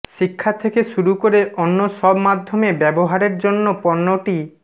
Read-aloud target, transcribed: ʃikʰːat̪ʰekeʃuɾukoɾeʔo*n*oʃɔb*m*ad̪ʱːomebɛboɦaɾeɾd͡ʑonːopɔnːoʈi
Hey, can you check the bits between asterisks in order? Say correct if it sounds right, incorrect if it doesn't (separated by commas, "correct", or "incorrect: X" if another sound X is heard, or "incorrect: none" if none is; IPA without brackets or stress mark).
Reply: incorrect: nː, correct